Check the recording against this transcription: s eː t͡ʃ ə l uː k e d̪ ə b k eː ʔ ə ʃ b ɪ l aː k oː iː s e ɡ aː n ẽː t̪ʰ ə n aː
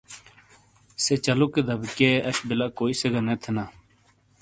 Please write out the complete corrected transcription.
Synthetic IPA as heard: s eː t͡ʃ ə l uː k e d̪ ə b k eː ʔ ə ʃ b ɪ l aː k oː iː s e ɡ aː n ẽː t̪ʰ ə n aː